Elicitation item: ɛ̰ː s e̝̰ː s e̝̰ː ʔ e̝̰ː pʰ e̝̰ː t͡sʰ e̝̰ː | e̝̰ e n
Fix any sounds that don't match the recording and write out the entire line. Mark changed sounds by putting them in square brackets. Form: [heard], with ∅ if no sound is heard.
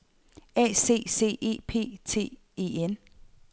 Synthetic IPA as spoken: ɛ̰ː s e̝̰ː s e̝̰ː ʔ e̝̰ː pʰ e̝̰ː t͡sʰ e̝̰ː | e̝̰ e n